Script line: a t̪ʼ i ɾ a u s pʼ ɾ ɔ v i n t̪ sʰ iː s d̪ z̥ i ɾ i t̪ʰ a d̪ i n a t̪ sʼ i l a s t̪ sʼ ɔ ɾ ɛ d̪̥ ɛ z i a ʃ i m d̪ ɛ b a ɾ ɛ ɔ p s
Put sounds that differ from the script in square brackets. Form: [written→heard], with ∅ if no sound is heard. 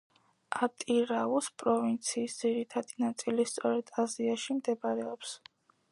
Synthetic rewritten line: a t̪ʼ i ɾ a u s pʼ ɾ ɔ v i n t̪ sʰ iː s d̪ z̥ i ɾ i t̪ʰ a d̪ i n a t̪ sʼ i l [a→i] s t̪ sʼ ɔ ɾ ɛ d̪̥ [ɛ→a] z i a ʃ i m d̪ ɛ b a ɾ ɛ ɔ p s